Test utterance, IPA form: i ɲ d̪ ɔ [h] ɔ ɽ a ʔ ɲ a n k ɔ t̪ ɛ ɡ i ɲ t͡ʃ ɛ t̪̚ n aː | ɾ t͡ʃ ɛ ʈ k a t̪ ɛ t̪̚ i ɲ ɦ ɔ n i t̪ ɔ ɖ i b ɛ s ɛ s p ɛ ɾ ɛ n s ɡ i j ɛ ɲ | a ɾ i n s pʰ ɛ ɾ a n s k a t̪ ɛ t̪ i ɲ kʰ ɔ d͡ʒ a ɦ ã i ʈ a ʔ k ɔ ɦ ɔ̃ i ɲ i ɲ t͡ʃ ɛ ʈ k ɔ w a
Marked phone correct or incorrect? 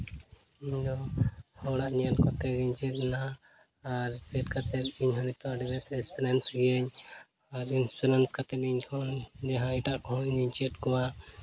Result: correct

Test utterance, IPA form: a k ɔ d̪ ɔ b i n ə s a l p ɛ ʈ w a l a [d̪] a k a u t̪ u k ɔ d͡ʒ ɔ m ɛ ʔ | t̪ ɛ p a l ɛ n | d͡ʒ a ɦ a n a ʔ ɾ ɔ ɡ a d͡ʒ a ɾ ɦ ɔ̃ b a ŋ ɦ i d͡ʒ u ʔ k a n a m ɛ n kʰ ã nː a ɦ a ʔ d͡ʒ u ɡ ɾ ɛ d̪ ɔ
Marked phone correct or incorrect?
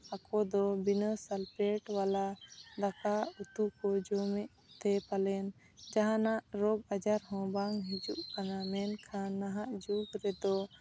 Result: correct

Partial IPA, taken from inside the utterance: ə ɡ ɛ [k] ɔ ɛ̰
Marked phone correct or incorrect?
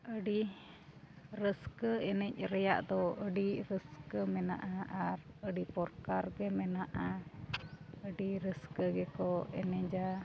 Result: correct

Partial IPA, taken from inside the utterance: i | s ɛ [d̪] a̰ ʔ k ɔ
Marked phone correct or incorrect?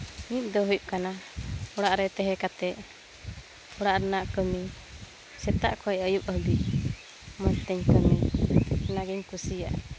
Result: incorrect: t̪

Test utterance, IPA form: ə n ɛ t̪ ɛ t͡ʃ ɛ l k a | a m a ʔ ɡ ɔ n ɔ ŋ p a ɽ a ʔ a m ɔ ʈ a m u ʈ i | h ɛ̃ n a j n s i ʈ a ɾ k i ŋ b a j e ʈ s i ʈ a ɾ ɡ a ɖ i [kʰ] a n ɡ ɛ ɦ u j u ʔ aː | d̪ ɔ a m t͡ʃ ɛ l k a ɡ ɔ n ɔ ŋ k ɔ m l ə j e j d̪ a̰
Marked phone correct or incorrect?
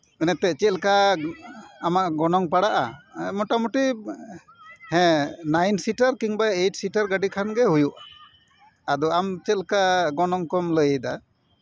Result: correct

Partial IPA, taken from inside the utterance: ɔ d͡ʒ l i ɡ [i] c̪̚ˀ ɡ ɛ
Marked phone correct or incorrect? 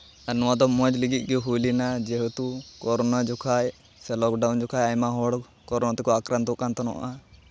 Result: correct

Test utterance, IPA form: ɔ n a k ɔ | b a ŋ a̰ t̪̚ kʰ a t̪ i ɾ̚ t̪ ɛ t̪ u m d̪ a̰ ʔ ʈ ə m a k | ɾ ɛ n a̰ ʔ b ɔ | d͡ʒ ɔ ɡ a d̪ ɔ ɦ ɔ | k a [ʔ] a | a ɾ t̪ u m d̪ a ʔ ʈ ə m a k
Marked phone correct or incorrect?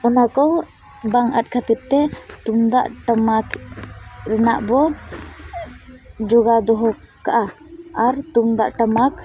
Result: correct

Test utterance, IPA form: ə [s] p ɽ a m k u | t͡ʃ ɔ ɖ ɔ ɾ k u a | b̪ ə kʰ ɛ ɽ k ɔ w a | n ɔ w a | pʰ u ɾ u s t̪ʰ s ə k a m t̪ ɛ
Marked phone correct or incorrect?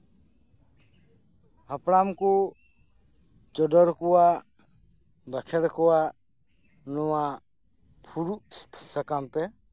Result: incorrect: none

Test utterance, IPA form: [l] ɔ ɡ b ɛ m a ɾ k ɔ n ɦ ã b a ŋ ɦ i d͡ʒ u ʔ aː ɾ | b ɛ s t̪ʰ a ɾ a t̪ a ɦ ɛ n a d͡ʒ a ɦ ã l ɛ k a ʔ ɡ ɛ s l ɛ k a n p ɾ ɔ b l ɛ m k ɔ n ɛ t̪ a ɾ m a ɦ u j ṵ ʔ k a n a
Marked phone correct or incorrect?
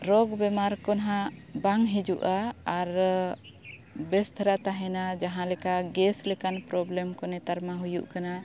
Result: incorrect: ɾ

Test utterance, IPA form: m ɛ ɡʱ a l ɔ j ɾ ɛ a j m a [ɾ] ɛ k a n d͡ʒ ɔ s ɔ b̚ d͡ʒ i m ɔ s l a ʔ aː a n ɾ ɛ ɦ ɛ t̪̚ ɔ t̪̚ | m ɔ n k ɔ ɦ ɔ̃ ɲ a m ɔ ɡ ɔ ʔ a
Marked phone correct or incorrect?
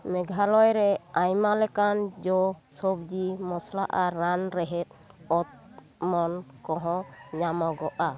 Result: incorrect: l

